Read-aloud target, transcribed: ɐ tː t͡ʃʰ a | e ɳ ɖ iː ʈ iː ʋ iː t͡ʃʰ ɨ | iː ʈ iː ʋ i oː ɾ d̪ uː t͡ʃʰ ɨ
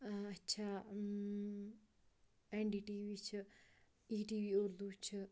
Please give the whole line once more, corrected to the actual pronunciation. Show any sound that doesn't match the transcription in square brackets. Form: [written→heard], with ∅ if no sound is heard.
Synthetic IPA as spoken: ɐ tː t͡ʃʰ a | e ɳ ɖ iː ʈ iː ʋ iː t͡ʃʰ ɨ | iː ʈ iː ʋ i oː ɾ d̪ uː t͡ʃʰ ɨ